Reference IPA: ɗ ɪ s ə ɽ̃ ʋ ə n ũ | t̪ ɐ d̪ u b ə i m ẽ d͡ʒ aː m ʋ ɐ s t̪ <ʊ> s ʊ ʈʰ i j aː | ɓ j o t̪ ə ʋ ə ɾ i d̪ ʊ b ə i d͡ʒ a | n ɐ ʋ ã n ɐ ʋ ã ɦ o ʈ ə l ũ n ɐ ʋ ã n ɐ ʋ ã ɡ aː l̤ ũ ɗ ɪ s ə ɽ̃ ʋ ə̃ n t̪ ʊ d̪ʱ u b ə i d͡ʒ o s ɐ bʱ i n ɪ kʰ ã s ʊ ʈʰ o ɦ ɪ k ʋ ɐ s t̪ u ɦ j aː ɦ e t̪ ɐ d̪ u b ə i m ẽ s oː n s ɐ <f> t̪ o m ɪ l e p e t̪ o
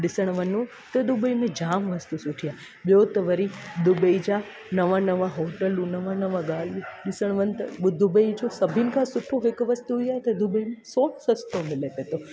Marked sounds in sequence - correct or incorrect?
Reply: incorrect: u, incorrect: s

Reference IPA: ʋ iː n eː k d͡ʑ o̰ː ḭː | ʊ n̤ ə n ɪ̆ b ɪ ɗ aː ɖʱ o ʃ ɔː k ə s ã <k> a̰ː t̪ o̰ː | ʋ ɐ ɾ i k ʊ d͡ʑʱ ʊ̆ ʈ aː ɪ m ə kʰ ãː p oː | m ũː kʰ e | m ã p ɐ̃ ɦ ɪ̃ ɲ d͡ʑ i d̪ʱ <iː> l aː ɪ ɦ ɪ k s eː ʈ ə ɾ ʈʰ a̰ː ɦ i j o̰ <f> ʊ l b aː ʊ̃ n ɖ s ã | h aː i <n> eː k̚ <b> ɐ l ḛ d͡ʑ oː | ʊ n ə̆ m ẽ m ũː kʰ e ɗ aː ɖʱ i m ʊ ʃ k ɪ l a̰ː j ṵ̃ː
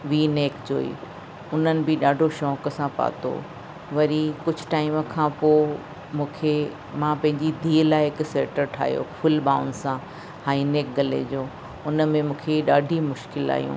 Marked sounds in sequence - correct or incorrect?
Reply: incorrect: p, correct, correct, correct, incorrect: ɡ

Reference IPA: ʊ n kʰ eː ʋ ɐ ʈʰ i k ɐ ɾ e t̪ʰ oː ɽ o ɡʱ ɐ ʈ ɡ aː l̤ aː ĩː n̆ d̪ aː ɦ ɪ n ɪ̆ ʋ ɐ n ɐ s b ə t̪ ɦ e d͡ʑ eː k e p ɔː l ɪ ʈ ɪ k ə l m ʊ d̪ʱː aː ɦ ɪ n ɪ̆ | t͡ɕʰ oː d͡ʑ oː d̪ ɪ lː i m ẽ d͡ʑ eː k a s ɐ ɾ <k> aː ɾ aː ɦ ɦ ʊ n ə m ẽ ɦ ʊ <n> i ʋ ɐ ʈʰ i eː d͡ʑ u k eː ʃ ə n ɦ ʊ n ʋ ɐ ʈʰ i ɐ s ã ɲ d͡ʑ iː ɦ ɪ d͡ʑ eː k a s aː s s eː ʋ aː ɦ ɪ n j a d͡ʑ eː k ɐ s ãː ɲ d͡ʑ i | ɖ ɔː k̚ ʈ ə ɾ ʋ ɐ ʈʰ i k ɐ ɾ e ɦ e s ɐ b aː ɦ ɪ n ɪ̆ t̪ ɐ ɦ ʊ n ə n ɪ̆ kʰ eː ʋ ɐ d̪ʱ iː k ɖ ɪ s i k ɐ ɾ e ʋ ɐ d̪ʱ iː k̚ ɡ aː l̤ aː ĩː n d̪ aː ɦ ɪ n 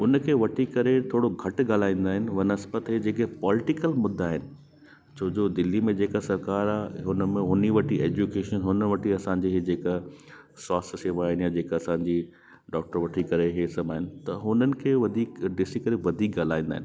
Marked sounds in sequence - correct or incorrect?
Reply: correct, correct

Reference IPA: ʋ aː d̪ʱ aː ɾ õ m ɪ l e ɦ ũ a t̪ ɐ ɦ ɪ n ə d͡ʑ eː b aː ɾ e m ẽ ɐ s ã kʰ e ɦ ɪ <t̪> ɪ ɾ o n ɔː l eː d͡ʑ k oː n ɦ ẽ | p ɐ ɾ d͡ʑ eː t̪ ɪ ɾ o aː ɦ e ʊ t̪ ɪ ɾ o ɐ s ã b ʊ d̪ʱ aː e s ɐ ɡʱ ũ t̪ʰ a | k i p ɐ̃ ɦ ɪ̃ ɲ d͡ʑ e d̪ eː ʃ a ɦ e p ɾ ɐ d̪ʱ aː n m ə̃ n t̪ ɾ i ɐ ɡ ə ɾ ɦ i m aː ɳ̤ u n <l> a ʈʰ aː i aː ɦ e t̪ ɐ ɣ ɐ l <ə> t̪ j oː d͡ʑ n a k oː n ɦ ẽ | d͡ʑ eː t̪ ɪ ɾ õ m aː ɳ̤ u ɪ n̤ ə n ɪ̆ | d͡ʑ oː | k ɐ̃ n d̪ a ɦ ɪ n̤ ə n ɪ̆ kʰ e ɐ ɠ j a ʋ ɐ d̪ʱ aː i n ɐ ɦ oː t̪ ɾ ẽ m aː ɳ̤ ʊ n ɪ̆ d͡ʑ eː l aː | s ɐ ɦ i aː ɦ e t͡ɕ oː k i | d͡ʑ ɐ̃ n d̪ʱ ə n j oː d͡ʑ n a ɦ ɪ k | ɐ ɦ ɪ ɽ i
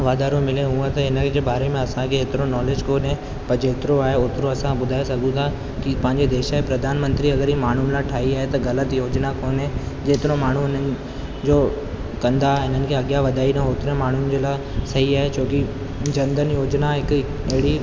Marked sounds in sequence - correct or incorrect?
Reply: correct, correct, correct

